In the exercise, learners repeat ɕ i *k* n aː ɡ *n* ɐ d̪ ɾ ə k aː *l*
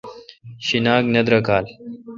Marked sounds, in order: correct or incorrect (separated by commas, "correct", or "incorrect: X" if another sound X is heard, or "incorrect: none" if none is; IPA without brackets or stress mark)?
incorrect: none, correct, correct